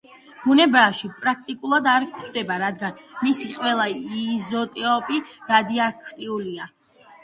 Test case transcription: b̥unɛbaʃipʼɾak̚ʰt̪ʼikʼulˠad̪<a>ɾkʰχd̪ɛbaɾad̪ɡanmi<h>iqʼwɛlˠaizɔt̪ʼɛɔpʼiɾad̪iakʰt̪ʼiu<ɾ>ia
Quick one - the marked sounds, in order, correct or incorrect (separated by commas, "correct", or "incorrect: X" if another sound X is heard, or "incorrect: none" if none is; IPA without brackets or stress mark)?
correct, incorrect: s, incorrect: l